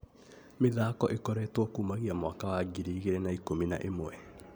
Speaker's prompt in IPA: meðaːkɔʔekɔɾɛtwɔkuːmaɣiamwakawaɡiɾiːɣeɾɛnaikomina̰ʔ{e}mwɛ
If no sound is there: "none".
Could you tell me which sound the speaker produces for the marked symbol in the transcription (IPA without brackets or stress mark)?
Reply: e